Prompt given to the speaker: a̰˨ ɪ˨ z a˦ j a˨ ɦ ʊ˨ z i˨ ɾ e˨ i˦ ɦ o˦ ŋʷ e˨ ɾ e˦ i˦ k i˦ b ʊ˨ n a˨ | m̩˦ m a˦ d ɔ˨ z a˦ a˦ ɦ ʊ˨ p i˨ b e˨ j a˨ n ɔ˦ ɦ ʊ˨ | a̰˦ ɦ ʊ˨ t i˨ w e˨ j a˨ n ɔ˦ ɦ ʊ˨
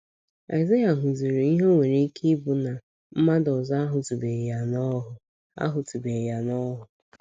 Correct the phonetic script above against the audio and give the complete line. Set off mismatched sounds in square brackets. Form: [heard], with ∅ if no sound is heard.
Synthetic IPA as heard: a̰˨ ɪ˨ z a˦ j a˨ ɦ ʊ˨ z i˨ ɾ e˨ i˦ ɦ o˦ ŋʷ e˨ ɾ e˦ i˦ k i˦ b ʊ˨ n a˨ | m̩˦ m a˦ d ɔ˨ z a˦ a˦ ɦ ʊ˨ [t] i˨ b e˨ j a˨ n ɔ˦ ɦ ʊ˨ | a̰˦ ɦ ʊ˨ t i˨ [b] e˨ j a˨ n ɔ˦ ɦ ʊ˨